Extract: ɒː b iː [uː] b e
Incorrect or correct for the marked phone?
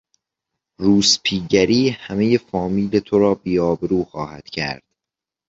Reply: incorrect: ɒː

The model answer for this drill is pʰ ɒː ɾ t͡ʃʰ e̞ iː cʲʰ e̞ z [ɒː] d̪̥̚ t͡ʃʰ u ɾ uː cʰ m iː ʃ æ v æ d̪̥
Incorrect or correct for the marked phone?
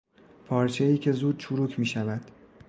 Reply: incorrect: uː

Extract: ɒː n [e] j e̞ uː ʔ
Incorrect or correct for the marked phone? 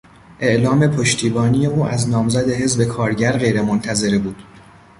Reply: incorrect: i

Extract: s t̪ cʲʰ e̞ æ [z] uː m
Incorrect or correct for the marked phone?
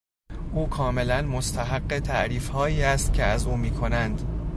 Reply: correct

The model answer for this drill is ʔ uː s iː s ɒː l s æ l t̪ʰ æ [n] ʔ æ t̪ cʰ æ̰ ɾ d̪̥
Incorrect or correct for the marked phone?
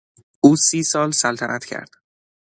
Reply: correct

